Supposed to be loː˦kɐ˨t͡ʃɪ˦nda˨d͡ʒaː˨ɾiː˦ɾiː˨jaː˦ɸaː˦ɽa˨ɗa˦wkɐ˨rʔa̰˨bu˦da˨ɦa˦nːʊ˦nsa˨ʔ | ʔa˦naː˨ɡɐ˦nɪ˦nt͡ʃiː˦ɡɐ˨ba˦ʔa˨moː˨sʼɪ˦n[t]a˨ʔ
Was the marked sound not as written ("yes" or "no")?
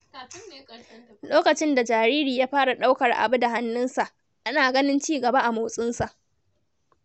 yes